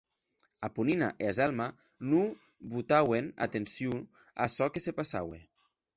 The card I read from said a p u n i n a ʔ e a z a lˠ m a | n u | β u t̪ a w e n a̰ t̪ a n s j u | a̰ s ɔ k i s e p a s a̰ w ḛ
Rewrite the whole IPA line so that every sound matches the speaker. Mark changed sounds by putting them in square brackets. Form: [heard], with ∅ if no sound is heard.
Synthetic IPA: a p u n i n a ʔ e a z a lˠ m a | n u | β u t̪ a w e n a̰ t̪ [e] n s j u | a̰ s ɔ k [e] s e p a s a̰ w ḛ